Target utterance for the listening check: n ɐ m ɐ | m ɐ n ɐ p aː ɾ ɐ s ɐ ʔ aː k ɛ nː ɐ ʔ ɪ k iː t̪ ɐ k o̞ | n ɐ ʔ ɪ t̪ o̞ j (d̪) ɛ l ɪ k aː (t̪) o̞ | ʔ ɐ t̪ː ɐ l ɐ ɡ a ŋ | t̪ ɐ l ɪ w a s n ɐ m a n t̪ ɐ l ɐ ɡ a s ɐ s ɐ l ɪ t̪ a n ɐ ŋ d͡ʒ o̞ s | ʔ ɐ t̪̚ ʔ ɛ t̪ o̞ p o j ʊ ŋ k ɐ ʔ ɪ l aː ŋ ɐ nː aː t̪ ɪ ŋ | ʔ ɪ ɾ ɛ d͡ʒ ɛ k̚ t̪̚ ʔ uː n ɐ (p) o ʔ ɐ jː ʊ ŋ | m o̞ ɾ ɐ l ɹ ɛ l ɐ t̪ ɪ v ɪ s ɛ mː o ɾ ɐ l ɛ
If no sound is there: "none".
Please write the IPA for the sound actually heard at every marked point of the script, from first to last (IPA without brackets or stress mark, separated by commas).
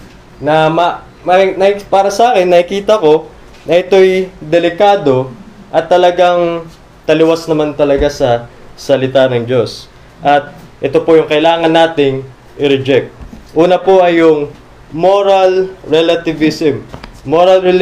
d̪, d̪, p